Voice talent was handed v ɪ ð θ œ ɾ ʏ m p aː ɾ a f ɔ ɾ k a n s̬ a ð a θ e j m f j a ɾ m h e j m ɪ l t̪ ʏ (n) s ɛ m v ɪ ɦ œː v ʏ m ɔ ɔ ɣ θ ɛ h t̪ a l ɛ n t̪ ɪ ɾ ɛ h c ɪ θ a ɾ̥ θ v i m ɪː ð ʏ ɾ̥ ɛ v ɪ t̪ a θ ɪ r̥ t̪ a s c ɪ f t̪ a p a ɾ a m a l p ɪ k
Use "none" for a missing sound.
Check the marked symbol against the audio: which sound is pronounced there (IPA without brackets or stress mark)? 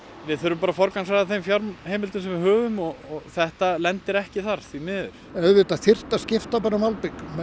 n